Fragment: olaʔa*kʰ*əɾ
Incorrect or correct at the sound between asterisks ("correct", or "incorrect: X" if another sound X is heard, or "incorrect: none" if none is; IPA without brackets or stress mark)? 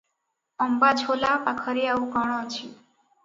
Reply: correct